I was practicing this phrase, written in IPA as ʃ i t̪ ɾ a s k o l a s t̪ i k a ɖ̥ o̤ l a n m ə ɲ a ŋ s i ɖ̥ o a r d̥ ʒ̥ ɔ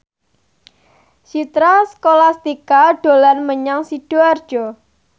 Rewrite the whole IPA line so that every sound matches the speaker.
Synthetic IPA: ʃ i t̪ ɾ a s k o l a s t̪ i k a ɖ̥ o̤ l a n m ə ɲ a ŋ s i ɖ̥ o a r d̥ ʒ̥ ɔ

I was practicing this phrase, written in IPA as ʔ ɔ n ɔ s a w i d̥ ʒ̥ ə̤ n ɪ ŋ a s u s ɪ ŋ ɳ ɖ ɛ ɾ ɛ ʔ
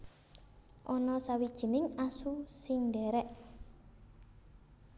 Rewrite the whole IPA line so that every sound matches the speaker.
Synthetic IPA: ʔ ɔ n ɔ s a w i d̥ ʒ̥ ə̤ n ɪ ŋ a s u s ɪ ŋ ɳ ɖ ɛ ɾ ɛ ʔ

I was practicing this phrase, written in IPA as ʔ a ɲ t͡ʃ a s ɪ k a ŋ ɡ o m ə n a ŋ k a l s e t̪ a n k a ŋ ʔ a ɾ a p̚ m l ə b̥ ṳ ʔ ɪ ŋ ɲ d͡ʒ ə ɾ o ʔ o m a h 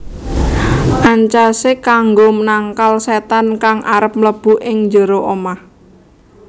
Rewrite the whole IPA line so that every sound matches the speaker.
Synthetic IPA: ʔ a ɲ t͡ʃ a s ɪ k a ŋ ɡ o m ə n a ŋ k a l s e t̪ a n k a ŋ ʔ a ɾ ə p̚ m l ə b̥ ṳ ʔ ɪ ŋ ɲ d͡ʒ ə ɾ o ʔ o m a h

